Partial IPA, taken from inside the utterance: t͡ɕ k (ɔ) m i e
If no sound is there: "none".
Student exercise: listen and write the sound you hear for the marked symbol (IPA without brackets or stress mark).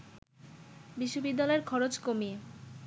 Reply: o